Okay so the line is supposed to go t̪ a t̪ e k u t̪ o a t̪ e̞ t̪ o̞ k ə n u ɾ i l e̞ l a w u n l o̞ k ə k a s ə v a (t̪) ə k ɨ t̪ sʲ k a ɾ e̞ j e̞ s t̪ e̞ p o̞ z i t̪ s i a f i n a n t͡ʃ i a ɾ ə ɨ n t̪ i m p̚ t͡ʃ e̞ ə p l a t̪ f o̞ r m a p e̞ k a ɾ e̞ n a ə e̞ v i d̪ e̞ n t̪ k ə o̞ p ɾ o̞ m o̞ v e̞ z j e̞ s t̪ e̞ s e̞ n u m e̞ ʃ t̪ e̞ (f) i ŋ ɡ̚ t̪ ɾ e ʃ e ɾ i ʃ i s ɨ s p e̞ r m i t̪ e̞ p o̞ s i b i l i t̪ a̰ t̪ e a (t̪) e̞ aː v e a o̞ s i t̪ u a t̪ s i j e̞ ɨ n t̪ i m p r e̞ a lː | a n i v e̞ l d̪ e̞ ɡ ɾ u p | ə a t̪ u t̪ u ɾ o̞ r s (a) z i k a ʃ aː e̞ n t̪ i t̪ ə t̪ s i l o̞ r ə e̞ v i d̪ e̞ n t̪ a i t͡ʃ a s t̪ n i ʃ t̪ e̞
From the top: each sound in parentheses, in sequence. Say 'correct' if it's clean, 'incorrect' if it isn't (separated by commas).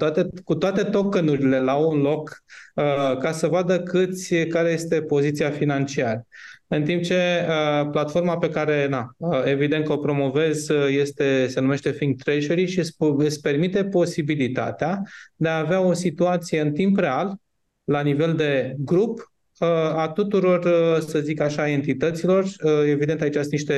incorrect, correct, incorrect, incorrect